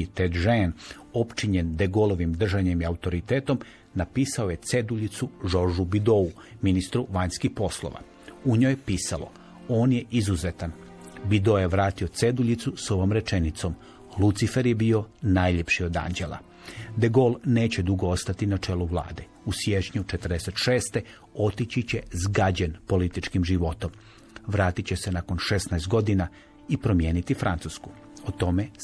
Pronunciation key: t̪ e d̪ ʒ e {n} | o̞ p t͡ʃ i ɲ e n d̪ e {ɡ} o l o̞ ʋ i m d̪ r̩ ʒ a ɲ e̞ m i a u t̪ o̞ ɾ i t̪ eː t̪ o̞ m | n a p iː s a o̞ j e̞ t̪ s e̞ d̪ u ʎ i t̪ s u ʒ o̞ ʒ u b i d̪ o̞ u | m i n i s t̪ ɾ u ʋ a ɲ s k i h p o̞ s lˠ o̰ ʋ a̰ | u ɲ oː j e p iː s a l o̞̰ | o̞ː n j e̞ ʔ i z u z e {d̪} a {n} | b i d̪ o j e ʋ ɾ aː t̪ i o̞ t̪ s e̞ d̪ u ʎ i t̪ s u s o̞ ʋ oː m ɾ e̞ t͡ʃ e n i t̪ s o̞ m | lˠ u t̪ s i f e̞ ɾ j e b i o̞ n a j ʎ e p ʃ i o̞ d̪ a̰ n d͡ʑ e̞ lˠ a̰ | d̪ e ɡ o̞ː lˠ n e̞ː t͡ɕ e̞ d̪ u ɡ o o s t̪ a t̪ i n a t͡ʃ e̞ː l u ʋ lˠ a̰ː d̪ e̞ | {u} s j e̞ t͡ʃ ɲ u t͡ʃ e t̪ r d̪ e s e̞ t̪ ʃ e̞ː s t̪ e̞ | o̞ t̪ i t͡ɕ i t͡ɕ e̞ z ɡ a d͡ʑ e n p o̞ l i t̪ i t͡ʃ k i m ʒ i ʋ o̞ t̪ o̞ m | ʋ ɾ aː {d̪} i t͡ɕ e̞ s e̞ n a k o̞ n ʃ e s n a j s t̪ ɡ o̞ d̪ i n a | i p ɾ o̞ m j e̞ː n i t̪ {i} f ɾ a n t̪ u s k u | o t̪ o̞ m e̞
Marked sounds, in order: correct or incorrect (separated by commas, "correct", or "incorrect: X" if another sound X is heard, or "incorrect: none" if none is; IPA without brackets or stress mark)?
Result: correct, correct, incorrect: t̪, correct, correct, incorrect: t̪, correct